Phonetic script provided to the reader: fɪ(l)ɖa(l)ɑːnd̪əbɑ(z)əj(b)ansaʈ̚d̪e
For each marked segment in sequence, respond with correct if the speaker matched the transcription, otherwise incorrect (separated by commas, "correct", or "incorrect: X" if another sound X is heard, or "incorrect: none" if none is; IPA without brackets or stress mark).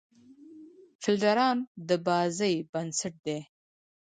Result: correct, incorrect: ɾ, correct, correct